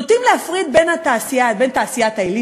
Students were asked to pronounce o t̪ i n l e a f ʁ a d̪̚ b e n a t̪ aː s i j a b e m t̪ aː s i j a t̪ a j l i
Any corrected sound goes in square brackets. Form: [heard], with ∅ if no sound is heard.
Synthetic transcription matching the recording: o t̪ i [m] l e a f ʁ [i] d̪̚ b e n a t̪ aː s i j a b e [n] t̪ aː s i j a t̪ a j l i